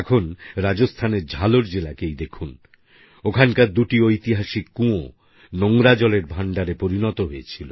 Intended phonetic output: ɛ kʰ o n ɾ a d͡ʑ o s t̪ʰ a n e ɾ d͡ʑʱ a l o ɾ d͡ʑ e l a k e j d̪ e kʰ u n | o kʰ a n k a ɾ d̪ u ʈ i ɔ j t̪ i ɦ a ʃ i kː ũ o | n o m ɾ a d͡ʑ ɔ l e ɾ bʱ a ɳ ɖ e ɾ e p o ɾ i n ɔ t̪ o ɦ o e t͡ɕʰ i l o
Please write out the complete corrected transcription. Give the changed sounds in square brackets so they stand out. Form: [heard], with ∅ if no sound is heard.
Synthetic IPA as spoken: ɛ kʰ o n ɾ a d͡ʑ o s t̪ʰ a n e ɾ d͡ʑʱ a l o ɾ d͡ʑ e l a k e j d̪ e kʰ u n | o kʰ a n k a ɾ d̪ u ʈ i [o] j t̪ i ɦ a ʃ i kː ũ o | n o [ŋ] ɾ a d͡ʑ ɔ l e ɾ bʱ a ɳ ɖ [a] ɾ e p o ɾ i n ɔ t̪ o ɦ o e t͡ɕʰ i l o